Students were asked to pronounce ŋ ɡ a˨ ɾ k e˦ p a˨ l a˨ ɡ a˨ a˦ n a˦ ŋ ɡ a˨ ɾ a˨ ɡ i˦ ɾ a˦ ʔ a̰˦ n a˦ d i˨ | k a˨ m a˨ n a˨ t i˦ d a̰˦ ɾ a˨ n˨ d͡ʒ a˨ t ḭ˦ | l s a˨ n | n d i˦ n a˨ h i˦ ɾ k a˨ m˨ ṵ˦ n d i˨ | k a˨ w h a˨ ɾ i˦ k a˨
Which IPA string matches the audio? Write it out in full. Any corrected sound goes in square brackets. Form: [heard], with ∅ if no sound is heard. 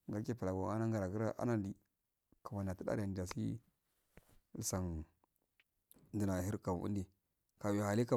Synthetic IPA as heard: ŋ ɡ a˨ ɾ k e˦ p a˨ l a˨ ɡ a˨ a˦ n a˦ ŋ ɡ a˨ ɾ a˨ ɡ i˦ ɾ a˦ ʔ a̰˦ n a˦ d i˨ | k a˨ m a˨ n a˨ t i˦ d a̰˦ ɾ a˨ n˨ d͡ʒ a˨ [s] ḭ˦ | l s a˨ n | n d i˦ n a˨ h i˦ ɾ k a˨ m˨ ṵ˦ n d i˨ | k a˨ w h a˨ [l] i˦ k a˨